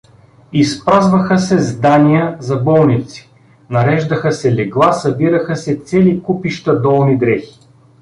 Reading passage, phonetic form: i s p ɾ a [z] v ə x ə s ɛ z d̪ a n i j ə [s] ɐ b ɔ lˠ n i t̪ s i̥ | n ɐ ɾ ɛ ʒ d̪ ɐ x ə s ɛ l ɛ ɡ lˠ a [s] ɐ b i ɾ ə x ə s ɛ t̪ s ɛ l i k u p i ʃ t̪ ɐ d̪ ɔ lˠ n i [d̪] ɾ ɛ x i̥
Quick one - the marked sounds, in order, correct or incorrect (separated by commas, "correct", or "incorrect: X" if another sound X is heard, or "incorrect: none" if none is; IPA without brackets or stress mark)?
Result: correct, incorrect: z, correct, correct